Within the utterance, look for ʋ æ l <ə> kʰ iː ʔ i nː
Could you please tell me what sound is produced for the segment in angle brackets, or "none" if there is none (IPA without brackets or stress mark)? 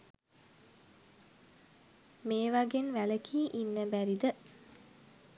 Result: ə